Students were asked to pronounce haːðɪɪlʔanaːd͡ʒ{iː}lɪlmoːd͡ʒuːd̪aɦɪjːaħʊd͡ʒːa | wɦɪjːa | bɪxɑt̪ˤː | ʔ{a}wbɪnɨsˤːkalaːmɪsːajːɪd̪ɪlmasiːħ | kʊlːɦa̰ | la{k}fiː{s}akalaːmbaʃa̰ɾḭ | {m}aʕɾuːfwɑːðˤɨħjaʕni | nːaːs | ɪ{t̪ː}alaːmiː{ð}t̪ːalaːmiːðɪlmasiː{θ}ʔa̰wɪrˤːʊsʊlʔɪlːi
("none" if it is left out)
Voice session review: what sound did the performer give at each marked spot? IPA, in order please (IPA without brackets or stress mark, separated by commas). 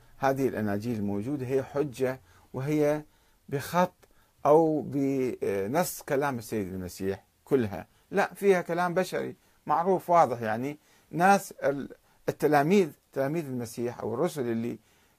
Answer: iː, a, ʔ, h, m, t̪ː, ð, ħ